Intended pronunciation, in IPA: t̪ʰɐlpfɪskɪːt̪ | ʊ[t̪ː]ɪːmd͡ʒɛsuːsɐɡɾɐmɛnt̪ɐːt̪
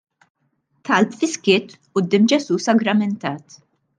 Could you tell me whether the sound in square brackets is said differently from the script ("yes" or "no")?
yes